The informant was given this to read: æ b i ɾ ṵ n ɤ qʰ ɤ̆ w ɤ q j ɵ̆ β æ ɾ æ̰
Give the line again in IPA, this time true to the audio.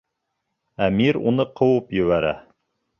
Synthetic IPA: æ m i ɾ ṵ n ɤ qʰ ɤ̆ w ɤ p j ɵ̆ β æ ɾ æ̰